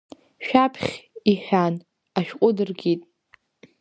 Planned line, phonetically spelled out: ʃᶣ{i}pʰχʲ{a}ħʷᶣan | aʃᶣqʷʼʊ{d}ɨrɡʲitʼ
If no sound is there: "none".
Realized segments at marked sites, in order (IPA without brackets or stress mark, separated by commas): a, i, d